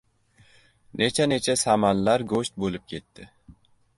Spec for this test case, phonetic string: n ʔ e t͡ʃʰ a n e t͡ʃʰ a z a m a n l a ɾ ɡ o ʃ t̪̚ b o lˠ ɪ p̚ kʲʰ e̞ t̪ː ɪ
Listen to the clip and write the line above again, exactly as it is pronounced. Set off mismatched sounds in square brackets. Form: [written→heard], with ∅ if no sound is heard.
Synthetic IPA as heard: n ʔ e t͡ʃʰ a n e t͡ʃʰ a [z→s] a m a n l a ɾ ɡ o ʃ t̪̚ b o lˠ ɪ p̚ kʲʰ e̞ t̪ː ɪ